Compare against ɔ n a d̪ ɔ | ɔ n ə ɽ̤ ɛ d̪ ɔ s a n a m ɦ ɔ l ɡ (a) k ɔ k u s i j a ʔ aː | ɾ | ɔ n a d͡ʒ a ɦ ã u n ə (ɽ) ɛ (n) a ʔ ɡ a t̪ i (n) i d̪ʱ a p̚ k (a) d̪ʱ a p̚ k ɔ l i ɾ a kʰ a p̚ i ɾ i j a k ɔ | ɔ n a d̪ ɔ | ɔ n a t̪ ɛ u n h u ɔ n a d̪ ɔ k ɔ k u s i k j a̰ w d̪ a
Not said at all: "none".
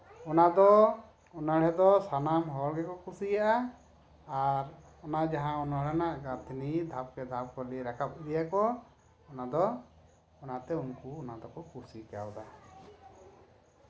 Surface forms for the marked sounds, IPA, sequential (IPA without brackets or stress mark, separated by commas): ɛ, ɽ, n, n, ɛ